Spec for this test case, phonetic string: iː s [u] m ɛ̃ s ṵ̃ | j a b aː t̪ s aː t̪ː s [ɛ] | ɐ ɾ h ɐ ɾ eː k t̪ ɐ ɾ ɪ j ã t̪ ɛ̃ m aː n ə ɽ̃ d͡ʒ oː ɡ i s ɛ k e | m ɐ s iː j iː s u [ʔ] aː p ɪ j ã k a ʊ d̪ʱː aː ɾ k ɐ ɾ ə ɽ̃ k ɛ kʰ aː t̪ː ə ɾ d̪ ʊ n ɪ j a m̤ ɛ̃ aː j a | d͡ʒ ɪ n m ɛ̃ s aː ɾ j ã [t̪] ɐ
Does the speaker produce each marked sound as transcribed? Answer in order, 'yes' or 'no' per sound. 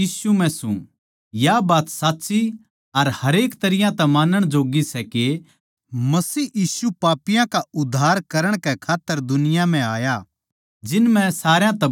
yes, no, no, yes

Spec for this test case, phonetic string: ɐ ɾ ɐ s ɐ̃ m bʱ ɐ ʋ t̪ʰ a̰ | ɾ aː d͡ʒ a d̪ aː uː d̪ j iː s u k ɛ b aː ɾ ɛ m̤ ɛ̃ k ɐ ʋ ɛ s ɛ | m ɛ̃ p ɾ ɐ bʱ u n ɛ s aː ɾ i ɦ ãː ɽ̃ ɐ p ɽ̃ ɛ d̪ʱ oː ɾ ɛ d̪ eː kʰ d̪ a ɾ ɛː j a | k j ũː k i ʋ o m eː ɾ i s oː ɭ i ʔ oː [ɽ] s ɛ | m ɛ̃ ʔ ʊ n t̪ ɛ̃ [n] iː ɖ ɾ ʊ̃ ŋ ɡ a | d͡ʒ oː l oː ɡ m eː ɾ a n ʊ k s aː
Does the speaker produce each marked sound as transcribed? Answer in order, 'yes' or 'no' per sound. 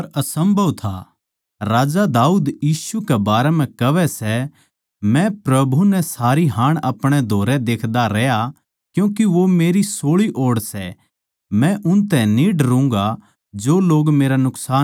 yes, yes

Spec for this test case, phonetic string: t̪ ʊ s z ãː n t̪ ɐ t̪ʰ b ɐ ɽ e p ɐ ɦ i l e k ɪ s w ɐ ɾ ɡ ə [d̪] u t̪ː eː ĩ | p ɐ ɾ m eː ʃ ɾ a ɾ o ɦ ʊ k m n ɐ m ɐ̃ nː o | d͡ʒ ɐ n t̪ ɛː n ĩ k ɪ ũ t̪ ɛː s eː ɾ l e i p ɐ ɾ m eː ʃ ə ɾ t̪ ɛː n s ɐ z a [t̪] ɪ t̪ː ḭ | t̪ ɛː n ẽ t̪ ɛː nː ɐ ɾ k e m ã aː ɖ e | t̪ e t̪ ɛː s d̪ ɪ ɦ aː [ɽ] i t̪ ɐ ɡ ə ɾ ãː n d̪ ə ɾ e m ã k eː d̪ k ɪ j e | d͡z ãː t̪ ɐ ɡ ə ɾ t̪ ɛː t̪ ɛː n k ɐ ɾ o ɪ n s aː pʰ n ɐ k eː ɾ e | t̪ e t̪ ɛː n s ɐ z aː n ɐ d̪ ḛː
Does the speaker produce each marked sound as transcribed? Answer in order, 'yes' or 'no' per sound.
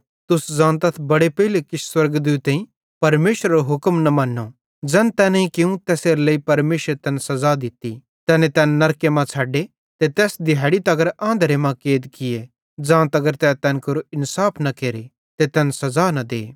yes, no, yes

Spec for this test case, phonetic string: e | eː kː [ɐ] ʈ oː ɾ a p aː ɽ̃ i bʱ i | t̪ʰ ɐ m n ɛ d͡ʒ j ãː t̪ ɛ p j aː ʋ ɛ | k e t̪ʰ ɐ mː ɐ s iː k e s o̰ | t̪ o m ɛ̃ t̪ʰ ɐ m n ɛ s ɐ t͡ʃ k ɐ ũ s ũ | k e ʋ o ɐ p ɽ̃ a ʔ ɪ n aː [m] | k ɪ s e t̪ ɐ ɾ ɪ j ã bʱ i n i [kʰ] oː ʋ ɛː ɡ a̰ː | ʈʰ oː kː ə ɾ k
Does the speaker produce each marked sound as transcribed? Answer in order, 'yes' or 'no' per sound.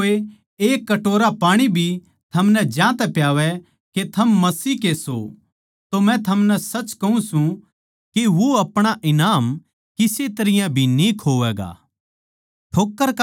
yes, yes, yes

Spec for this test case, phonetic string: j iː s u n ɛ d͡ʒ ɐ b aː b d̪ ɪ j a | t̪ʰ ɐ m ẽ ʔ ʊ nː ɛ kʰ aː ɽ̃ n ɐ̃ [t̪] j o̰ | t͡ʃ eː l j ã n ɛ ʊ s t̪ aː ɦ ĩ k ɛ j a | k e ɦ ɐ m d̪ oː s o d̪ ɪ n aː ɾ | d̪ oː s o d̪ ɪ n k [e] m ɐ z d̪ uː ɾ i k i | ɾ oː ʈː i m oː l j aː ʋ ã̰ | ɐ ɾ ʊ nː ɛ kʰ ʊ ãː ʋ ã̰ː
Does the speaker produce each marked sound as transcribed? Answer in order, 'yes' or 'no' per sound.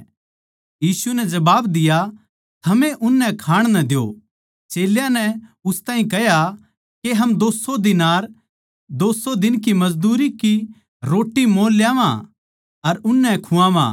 no, no

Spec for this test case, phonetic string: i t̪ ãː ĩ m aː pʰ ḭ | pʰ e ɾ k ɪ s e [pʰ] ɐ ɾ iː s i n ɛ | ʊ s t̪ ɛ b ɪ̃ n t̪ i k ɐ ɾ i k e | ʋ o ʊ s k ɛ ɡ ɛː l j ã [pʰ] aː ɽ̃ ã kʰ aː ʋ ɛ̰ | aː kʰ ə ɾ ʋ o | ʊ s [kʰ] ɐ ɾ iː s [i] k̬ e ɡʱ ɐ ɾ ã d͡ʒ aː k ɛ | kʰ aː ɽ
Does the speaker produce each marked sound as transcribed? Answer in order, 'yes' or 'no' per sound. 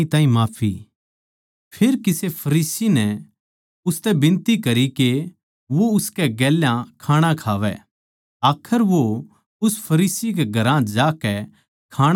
yes, no, no, yes

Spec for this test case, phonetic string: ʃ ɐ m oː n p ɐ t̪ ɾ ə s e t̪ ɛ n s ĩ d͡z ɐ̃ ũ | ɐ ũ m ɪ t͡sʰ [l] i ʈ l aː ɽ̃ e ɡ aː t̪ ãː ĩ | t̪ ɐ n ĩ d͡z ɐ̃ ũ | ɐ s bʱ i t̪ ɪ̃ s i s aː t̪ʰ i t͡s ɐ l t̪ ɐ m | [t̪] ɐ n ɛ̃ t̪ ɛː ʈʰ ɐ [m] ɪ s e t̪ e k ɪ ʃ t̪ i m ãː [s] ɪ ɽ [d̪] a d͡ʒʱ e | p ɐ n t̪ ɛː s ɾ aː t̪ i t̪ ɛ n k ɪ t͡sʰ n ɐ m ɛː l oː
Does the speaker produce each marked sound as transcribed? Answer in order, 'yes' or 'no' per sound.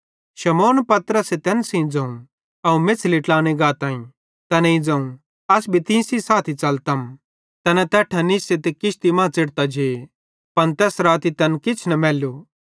yes, yes, no, no, no

